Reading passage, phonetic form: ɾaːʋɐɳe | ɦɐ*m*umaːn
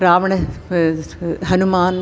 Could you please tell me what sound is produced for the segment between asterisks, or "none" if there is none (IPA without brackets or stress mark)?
n